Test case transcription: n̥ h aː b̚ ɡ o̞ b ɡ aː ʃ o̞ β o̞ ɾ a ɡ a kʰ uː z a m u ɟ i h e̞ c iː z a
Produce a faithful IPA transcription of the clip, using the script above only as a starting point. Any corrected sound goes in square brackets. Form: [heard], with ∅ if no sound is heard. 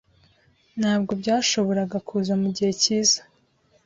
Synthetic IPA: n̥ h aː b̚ ɡ o̞ b [ɟ] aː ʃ o̞ β o̞ ɾ a ɡ a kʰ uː z a m u ɟ i h e̞ c iː z a